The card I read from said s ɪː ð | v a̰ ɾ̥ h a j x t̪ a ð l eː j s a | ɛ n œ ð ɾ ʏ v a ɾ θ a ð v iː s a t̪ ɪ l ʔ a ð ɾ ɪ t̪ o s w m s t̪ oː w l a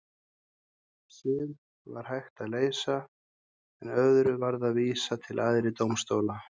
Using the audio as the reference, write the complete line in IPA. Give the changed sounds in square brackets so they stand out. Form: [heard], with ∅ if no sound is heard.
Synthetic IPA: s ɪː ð | v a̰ ɾ̥ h a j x t̪ a ð l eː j s a | ɛ n œ ð ɾ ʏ v a ɾ [ð] a ð v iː s a [t̪ʰ] ɪ l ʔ a ð ɾ ɪ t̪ o [∅] w m s t̪ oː w l a